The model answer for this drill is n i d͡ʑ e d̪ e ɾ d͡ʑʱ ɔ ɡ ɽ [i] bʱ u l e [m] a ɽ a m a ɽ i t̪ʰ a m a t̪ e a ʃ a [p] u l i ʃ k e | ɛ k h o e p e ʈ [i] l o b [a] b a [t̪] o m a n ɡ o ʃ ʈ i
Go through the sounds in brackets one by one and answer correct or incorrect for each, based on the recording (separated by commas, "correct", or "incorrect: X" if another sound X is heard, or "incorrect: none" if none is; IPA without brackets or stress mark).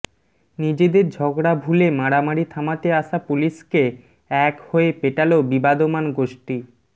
incorrect: a, correct, correct, incorrect: a, incorrect: i, incorrect: d̪